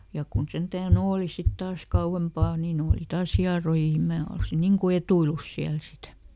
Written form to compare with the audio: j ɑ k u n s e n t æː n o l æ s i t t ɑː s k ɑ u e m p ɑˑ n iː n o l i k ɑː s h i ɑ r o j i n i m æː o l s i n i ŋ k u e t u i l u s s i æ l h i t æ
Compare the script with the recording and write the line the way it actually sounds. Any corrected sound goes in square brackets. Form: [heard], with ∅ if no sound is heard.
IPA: j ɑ k u n s e n t æː n [oː] l [i] s i t t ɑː s k ɑ u e m p ɑˑ n iː n [oː] l i [t] ɑː s h i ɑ r o j i n i m æː o l s i n i ŋ k u e t u i l u s s i æ l [s] i t æ